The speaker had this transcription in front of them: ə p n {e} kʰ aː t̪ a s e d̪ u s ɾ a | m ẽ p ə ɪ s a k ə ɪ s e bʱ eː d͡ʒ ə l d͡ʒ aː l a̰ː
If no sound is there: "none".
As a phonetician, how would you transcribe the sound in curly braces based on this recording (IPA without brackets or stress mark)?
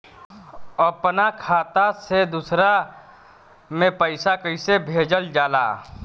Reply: a